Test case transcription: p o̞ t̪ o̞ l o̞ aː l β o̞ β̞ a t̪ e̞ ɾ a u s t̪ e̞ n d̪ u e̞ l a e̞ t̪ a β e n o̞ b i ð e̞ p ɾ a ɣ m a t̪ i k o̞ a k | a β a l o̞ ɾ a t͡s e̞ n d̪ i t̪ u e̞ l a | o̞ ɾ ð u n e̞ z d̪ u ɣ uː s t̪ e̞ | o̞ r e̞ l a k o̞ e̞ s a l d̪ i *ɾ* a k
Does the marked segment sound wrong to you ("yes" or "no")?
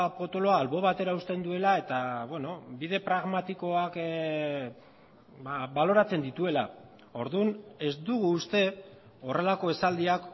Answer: yes